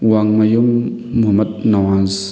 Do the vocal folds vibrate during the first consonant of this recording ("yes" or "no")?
yes